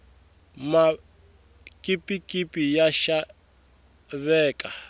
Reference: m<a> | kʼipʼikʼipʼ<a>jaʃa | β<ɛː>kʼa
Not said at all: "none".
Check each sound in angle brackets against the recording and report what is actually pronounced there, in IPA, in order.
a, i, ɛː

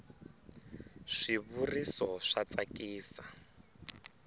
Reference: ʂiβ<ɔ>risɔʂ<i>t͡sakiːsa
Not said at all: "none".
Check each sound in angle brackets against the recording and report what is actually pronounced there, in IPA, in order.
u, a

